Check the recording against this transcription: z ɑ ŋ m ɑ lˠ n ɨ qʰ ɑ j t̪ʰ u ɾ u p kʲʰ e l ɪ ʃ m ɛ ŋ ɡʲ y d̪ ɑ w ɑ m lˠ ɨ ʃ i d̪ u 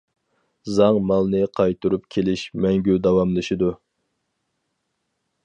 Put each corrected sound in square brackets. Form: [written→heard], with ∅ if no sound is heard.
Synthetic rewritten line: z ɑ ŋ m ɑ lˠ n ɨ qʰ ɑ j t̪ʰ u ɾ u p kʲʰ e l ɪ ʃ m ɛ ŋ ɡʲ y d̪ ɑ w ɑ m lˠ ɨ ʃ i d̪ u